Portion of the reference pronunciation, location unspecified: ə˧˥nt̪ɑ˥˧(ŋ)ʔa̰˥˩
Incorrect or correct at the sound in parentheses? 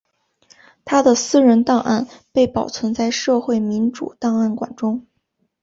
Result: correct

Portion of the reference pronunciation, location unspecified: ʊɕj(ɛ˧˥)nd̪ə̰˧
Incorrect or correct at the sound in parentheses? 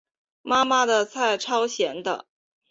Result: correct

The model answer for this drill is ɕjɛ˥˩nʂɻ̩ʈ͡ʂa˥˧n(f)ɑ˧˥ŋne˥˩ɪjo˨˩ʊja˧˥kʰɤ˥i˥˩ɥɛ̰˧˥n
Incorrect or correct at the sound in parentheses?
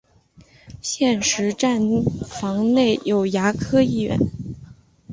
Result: correct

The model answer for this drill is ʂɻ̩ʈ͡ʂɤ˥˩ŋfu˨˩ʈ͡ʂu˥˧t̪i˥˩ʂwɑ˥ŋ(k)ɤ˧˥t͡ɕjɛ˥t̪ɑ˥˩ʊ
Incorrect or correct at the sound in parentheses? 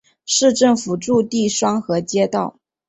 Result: incorrect: x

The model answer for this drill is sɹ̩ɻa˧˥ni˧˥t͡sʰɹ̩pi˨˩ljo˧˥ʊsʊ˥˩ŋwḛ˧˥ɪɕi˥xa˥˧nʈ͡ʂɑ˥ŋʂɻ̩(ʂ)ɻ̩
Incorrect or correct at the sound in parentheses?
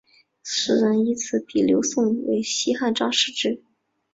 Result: incorrect: ʈ͡ʂ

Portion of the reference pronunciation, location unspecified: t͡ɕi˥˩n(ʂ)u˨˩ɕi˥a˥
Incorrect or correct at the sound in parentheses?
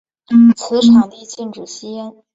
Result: incorrect: ʈ͡ʂ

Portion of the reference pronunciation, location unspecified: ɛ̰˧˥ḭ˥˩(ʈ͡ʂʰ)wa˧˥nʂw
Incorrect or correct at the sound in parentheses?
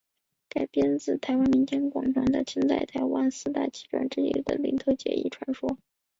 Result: correct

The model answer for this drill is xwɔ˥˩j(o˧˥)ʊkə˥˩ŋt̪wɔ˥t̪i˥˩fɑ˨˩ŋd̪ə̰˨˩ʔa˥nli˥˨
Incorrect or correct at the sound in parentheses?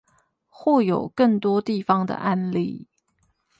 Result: incorrect: o˨˩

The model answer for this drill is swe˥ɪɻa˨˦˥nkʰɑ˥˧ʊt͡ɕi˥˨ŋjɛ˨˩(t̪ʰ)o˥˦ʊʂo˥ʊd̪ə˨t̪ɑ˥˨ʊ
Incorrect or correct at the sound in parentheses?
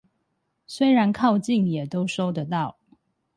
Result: incorrect: t̪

